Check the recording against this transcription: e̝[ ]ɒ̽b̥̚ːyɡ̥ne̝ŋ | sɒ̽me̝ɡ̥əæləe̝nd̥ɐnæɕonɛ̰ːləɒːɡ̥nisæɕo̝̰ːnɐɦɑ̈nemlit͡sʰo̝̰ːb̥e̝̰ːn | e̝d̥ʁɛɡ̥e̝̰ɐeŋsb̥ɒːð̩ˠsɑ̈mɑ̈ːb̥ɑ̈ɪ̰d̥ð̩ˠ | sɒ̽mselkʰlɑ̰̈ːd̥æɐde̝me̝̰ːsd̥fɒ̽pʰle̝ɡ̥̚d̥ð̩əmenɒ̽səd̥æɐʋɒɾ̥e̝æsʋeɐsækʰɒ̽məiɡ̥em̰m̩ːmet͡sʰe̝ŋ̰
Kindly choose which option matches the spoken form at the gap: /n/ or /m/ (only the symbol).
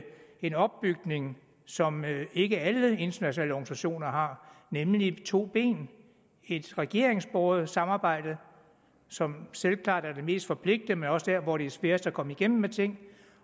n